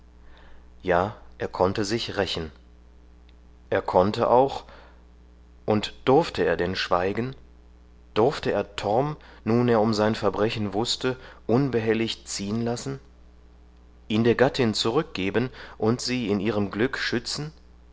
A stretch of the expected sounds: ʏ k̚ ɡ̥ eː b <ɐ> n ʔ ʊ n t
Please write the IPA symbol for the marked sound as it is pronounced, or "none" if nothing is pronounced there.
ə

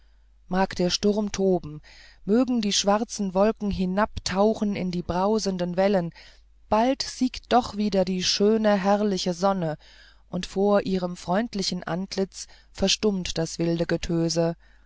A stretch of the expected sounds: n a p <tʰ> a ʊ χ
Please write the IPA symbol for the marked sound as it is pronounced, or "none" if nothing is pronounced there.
tʰ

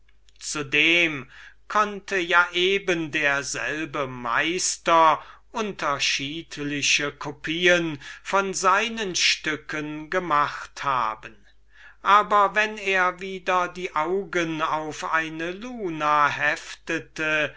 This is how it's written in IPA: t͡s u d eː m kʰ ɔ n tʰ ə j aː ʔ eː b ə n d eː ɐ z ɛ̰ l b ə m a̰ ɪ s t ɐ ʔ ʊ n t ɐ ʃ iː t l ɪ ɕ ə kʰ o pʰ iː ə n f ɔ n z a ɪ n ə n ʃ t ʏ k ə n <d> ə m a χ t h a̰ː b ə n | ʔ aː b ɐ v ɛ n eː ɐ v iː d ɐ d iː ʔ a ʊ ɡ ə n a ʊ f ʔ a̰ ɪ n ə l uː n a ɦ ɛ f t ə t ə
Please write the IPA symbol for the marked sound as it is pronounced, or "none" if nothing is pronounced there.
ɡ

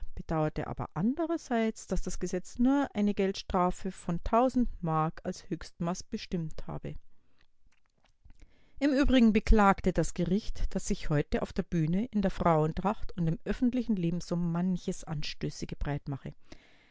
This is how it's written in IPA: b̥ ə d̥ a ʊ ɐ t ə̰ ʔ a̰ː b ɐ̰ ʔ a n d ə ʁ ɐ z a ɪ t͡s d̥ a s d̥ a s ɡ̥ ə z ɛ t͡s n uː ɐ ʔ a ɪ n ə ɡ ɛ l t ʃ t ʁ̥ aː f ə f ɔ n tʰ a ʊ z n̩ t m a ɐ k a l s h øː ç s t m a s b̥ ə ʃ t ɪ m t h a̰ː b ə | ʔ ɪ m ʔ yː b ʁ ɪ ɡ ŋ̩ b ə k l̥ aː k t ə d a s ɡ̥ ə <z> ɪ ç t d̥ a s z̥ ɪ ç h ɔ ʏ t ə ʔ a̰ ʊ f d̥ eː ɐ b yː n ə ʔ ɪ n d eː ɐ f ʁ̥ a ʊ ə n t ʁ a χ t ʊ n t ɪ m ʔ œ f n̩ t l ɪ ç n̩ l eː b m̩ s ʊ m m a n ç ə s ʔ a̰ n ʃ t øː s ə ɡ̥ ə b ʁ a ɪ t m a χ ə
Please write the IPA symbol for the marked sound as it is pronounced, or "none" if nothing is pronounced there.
ʁ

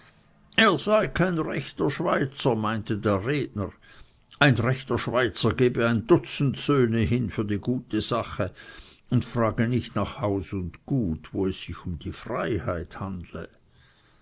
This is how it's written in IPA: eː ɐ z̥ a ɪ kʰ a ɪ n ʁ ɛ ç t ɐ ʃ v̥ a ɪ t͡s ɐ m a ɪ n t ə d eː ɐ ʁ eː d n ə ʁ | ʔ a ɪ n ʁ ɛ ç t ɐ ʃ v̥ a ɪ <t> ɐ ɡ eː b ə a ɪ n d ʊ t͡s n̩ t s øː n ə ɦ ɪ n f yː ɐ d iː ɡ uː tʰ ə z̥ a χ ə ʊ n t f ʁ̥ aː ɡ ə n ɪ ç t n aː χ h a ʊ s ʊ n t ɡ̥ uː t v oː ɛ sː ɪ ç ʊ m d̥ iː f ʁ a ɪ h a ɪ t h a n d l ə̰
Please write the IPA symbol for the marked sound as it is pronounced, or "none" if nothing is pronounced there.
t͡s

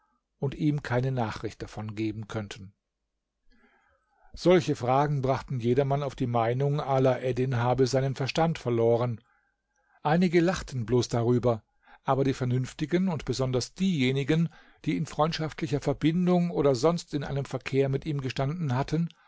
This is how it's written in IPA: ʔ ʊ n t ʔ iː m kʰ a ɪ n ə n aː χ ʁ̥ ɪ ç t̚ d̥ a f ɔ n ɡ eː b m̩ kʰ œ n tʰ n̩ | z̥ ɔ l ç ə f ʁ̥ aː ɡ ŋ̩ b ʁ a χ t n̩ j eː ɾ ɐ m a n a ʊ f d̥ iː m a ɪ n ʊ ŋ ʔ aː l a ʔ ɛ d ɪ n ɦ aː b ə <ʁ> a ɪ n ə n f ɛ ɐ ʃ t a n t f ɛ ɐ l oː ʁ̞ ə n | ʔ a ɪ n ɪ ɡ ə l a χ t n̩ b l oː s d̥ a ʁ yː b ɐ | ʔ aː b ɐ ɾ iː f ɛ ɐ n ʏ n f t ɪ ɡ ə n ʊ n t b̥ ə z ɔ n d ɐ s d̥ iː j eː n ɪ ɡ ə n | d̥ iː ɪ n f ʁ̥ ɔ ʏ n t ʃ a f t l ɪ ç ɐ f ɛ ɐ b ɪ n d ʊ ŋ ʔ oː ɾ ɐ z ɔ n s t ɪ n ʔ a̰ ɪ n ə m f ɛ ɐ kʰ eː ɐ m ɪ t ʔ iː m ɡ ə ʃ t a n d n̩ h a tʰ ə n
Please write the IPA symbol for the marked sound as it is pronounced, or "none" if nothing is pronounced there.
z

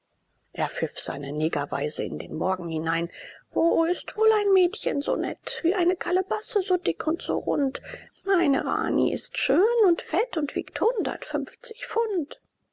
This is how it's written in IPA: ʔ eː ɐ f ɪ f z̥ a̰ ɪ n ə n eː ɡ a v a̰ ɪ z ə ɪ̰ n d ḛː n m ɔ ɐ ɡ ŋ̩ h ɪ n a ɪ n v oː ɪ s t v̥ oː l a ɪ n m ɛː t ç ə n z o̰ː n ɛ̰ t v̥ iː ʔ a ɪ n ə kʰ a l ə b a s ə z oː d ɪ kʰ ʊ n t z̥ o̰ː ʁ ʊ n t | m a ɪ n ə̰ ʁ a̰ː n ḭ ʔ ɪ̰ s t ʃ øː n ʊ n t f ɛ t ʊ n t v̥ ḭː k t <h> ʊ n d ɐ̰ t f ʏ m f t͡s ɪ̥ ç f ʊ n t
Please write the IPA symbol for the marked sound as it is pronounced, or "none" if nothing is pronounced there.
h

